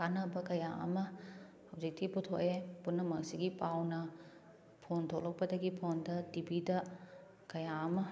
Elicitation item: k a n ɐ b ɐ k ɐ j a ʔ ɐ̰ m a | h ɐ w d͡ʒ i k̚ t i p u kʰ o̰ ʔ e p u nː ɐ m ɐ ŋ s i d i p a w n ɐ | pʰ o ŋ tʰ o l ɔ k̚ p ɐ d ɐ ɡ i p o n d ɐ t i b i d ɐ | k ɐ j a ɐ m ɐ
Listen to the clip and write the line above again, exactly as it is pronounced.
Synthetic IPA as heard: k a n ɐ b ɐ k ɐ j a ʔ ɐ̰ m ɐ | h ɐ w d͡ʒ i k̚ t i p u tʰ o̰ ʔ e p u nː ɐ m ɐ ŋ s i ɡ i p a w n ɐ | pʰ o n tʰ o l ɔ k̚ p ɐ d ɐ ɡ i pʰ o n d ɐ t i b i d ɐ | k ɐ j a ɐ m ɐ